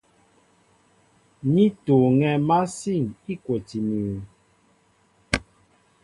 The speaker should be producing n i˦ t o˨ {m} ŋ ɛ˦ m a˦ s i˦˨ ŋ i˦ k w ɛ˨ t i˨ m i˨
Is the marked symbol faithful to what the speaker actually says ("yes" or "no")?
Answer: no